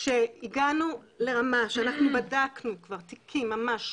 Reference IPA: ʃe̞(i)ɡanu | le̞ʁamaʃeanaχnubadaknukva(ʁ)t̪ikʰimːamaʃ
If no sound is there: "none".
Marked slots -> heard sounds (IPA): i, ʁ

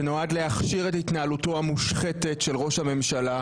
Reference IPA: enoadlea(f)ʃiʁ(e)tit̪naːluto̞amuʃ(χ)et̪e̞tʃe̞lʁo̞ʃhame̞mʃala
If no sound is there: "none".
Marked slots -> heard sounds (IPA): χ, e, χ

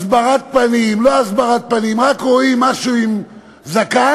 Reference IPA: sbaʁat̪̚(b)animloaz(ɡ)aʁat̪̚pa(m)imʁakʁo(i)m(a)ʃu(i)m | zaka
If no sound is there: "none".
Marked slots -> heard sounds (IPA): p, b, n, i, a, i

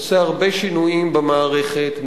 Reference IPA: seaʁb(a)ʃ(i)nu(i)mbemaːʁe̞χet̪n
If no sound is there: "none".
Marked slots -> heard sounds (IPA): e, i, i

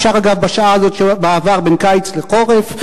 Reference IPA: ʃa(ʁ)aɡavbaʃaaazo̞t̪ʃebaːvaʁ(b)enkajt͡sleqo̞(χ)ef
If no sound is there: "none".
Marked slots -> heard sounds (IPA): ʁ, b, ʁ

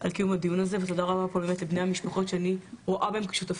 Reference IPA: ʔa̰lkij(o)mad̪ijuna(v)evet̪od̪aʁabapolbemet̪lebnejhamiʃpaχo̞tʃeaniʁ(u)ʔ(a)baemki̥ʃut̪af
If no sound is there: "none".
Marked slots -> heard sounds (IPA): u, z, o, a

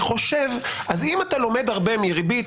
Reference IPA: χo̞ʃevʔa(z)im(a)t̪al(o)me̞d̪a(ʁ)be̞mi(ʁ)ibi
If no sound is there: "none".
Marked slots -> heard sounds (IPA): z, a, o, ʁ, ʁ

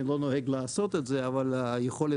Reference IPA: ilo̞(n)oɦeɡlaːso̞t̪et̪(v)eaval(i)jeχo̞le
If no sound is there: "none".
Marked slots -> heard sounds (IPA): n, z, a

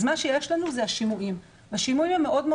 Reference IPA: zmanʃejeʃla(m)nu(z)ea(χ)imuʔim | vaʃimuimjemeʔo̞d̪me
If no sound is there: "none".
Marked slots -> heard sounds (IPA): none, z, ʃ

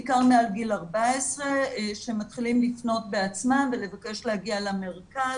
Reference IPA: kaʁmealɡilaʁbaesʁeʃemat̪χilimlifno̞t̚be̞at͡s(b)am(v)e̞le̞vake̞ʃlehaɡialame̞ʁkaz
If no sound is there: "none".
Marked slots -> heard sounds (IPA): m, v

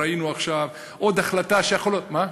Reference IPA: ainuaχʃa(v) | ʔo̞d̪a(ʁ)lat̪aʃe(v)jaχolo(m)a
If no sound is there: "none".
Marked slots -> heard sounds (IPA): v, χ, none, m

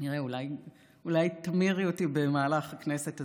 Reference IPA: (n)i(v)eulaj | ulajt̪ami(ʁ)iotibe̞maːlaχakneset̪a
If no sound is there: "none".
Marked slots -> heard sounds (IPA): n, ʁ, ʁ

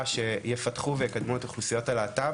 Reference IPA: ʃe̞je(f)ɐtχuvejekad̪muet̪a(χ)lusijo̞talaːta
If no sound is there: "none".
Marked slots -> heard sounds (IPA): f, χ

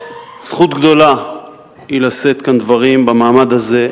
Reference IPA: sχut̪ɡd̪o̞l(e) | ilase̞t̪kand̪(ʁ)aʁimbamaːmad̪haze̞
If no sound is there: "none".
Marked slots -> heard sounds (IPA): a, v

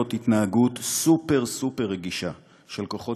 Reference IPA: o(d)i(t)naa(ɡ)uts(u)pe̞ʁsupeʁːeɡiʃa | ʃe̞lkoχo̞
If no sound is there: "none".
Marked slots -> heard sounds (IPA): t, t, ɡ, u

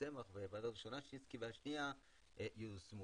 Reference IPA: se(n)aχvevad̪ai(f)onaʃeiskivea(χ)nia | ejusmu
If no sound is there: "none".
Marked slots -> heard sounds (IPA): m, ʃ, ʃ

